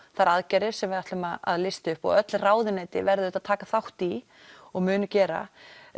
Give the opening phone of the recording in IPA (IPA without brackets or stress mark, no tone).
θ